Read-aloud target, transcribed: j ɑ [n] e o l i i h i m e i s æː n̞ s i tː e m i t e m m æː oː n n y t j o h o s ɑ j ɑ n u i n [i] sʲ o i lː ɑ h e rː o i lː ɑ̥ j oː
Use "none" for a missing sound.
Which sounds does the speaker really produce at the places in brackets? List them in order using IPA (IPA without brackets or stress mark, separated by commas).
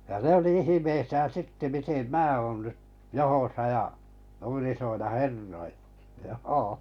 n, i